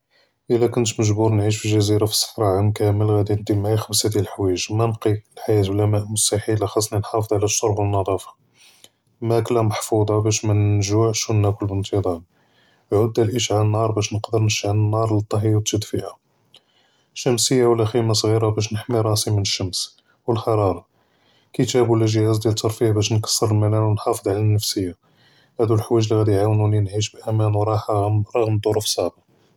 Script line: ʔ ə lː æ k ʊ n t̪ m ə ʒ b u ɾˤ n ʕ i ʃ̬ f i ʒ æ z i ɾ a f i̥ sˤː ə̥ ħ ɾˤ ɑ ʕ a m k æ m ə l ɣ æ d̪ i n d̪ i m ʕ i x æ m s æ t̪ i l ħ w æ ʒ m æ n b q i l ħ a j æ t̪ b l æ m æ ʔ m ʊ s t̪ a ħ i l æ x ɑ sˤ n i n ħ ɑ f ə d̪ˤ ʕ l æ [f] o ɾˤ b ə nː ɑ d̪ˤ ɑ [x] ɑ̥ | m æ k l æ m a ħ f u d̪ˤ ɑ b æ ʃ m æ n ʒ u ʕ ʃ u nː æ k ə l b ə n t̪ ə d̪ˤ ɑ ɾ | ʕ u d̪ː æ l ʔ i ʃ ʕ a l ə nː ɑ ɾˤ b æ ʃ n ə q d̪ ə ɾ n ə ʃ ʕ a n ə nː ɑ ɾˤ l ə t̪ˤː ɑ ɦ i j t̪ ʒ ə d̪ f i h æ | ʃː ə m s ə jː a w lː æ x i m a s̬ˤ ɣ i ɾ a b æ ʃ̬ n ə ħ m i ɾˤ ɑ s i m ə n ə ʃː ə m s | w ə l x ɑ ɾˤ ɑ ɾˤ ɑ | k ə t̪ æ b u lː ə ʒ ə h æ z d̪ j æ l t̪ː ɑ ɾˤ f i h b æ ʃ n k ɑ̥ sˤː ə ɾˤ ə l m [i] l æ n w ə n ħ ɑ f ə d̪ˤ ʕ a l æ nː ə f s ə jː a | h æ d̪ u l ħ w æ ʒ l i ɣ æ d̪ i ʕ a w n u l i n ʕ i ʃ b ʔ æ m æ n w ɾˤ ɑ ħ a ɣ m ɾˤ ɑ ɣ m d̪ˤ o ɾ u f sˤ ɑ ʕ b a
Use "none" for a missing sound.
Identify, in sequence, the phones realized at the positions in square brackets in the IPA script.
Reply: ʃ, f, æ

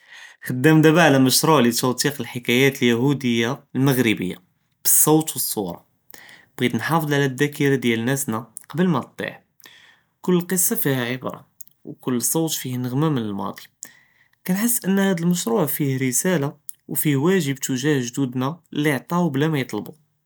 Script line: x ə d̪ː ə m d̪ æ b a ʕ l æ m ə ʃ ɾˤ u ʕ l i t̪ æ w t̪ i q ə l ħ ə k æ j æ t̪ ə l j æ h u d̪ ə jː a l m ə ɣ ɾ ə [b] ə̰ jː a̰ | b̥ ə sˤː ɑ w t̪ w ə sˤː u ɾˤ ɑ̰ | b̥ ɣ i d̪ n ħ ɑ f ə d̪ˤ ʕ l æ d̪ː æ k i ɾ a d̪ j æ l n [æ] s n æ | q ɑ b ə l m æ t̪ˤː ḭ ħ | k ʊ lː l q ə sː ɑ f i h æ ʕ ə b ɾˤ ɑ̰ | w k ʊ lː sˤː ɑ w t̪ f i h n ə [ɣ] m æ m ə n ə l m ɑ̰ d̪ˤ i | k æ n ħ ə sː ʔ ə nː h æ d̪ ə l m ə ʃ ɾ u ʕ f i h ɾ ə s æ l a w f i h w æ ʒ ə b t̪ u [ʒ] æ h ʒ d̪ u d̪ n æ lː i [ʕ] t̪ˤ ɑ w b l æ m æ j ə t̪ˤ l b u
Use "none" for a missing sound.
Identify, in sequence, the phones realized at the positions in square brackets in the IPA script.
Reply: b, æ, ɣ, ʒ, ʕ

